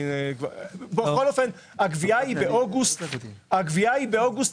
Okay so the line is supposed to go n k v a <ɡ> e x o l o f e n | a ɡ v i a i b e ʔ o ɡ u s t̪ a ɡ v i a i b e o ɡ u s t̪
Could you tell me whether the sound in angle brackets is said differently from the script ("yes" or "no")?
yes